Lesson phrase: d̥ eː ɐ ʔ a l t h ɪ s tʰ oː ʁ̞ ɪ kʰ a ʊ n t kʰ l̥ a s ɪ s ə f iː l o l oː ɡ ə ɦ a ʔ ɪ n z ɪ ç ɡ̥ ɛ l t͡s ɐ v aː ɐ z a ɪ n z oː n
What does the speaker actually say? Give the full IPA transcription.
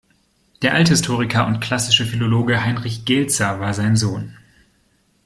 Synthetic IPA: d̥ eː ɐ ʔ a l t h ɪ s tʰ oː ʁ̞ ɪ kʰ ɐ ʊ n t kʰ l̥ a s ɪ ʃ ə f i l o l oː ɡ ə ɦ a ɪ n ʁ ɪ ç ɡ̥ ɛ l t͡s ɐ v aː ɐ z a ɪ n z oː n